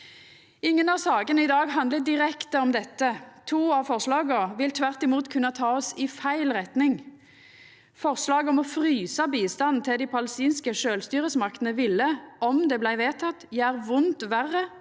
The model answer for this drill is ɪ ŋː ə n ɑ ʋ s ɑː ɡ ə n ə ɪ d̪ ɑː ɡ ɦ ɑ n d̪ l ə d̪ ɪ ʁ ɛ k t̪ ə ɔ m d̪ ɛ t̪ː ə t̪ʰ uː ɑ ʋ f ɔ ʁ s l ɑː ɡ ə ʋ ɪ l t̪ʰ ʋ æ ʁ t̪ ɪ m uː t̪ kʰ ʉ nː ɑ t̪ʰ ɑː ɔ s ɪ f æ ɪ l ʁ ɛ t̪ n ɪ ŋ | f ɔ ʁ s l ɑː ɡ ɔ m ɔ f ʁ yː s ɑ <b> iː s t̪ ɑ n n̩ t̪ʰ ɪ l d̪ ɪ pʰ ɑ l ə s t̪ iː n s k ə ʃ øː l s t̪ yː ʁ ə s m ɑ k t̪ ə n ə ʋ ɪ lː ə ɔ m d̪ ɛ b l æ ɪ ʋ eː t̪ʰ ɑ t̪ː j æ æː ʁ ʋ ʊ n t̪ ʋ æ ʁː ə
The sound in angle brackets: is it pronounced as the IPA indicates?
yes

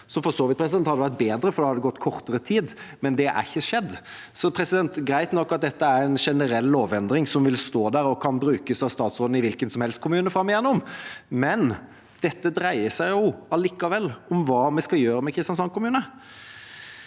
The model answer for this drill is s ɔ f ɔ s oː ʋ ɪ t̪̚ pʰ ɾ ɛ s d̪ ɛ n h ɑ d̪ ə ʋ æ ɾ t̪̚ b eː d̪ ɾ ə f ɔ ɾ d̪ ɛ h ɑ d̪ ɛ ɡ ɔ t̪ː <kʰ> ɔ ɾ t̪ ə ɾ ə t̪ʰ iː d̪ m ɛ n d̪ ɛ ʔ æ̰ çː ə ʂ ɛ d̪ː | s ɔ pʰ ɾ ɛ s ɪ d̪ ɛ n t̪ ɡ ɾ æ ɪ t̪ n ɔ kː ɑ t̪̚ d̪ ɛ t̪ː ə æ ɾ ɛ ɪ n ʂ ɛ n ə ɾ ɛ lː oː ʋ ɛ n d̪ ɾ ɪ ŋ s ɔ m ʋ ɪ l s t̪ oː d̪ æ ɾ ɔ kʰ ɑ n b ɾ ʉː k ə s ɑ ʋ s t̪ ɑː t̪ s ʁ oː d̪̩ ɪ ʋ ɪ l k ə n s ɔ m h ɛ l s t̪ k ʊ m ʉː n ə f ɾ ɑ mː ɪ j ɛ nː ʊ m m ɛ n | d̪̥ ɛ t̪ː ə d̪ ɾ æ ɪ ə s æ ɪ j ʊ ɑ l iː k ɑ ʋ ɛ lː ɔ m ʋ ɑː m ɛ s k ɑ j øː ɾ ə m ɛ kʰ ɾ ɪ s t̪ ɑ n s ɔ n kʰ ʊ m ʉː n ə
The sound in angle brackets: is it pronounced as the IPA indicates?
yes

